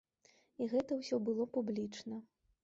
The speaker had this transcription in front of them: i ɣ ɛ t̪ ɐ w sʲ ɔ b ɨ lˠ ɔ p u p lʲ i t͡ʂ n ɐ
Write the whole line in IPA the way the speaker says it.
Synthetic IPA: i ɣ ɛ t̪ ɐ w sʲ ɔ b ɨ lˠ ɔ p u b lʲ i t͡ʂ n ɐ